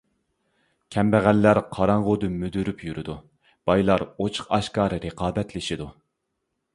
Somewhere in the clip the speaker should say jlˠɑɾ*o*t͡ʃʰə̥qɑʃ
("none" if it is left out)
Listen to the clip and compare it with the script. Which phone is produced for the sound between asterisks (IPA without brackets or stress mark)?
o